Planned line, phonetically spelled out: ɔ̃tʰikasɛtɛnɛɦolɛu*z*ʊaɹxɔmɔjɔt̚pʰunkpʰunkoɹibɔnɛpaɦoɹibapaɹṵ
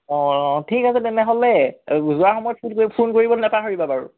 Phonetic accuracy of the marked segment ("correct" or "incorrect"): correct